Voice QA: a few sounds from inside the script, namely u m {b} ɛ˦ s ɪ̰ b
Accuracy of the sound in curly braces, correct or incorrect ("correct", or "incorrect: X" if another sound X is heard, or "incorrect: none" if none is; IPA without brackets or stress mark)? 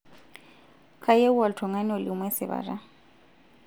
incorrect: w